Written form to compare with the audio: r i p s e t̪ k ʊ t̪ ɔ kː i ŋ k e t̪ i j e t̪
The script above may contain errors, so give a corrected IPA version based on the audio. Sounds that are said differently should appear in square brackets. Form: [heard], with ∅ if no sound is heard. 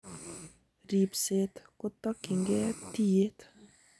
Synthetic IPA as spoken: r i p s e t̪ k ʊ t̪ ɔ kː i ŋ [ɡ] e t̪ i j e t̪